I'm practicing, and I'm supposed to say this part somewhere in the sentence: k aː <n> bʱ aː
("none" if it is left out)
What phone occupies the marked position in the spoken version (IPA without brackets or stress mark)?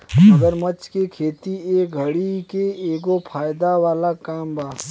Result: m